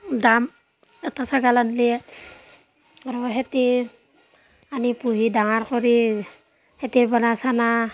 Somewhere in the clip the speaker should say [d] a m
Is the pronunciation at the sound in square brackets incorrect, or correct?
correct